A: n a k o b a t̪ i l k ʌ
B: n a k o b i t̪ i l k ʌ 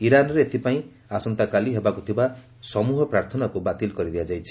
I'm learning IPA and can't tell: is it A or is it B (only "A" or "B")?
A